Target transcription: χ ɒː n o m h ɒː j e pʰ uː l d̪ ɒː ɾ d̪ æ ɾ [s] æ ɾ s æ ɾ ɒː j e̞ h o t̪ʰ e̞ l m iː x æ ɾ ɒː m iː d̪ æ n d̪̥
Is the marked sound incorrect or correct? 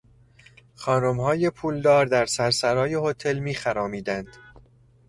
correct